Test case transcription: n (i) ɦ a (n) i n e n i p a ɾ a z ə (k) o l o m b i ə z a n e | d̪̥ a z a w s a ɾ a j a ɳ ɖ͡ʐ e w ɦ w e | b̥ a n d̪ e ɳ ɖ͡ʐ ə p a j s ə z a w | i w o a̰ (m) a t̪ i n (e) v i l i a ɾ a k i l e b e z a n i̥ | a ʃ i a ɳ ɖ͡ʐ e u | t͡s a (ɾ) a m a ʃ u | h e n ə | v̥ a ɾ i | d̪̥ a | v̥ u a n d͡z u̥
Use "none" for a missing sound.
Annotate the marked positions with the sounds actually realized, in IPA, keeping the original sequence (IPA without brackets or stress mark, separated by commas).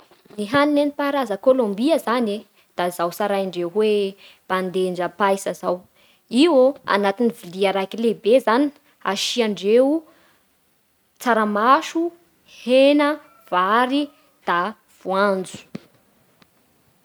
i, n, k, n, i, ɾ